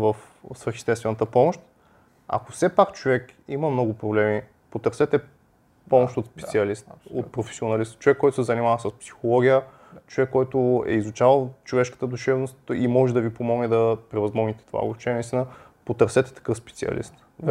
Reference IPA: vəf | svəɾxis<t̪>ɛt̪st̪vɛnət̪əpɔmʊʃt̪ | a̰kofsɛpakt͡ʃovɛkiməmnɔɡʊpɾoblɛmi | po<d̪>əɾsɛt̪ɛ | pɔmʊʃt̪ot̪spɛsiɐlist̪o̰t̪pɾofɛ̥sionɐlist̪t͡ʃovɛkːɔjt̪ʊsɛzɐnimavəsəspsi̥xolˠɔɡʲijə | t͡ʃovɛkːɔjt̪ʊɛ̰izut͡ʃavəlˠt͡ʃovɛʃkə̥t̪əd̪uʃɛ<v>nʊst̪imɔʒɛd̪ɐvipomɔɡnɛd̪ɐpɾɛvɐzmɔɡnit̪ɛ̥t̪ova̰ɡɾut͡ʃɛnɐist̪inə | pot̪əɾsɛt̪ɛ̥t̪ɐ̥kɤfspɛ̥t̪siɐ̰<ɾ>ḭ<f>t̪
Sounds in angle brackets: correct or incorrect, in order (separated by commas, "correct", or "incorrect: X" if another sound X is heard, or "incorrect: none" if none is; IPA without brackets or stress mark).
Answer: correct, incorrect: t̪, correct, incorrect: l, incorrect: s